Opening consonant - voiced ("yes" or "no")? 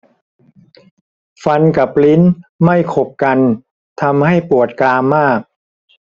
no